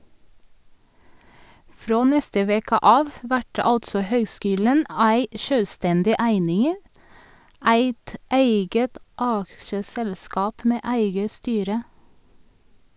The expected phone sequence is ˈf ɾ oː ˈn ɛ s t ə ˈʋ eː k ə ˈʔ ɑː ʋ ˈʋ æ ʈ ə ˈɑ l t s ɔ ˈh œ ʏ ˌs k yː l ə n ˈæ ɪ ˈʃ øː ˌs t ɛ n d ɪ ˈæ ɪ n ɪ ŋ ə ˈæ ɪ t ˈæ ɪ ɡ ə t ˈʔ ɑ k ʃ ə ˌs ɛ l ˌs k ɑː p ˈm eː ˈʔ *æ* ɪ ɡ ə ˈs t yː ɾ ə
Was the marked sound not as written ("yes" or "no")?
no